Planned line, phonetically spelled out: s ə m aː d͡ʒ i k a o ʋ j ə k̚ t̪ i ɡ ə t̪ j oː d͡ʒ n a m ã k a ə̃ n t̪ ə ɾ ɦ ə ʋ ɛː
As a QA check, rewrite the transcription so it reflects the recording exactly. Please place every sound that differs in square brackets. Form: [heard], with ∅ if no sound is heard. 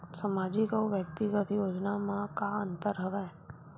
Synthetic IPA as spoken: s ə m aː d͡ʒ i k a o ʋ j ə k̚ t̪ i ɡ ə t̪ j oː d͡ʒ n a m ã k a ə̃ n t̪ ə ɾ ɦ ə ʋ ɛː